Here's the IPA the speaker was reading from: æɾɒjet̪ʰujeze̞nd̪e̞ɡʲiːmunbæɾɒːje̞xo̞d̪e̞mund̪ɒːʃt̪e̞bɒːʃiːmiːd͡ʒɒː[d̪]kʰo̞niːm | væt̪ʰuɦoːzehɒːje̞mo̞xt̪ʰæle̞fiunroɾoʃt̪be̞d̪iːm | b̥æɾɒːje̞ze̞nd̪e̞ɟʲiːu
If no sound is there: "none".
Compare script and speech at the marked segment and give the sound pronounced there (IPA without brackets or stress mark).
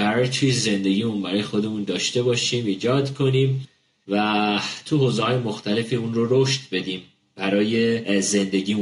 d̪